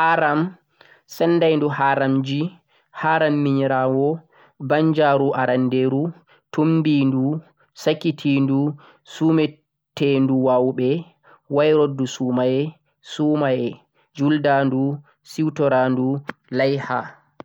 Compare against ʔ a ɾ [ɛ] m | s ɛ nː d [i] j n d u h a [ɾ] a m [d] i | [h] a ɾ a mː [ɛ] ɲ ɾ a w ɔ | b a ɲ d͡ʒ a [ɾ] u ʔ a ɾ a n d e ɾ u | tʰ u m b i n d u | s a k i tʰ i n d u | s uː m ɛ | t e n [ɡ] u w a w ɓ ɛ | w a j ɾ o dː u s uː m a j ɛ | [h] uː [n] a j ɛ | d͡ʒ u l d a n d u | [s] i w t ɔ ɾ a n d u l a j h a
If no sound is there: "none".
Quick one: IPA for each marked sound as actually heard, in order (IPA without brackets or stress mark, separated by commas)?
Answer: a, a, ɾ, d͡ʒ, h, i, ɾ, d, s, m, s